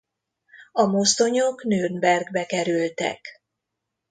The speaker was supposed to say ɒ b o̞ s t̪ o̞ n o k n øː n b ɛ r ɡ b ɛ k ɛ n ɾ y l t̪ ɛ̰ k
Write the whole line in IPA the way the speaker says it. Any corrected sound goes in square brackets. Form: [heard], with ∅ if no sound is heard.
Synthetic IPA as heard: ɒ [m] o̞ s t̪ o̞ [ɲ] o k n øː n b ɛ r ɡ b ɛ k ɛ [∅] ɾ y l t̪ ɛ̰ k